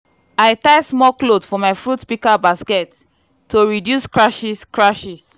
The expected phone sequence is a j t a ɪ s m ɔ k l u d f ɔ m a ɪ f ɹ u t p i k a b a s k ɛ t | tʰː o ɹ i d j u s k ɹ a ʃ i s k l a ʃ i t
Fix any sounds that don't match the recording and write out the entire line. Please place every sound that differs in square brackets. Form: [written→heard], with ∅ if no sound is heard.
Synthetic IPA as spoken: a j t a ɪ s m ɔ k l [u→o] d f ɔ m a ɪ f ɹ u t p i k a b a s k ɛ t | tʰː o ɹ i d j u s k ɹ a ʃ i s k [l→ɹ] a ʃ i [t→s]